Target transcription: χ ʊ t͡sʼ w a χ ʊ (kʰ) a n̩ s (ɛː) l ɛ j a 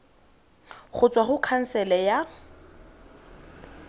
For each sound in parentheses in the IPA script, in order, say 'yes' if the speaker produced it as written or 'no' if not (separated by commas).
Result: yes, no